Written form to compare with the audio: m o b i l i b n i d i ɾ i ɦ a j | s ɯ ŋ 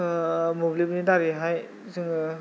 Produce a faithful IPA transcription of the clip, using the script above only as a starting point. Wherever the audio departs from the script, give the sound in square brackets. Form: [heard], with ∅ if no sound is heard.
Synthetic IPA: m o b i l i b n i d [a] ɾ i ɦ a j | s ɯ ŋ